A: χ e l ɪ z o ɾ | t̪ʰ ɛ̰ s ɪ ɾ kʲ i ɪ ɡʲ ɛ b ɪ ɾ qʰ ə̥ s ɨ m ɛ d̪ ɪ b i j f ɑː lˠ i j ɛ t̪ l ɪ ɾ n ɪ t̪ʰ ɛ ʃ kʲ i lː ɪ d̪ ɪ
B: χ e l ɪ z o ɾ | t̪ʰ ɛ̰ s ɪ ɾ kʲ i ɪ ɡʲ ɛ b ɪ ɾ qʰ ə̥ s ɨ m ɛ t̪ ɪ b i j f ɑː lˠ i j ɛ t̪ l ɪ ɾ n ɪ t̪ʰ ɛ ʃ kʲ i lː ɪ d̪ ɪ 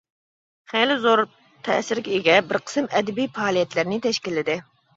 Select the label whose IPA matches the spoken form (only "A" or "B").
A